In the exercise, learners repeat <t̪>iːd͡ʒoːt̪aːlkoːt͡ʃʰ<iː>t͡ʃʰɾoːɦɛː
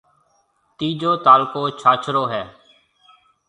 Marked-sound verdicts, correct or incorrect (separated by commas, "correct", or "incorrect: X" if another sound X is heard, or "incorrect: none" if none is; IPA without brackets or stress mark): correct, incorrect: aː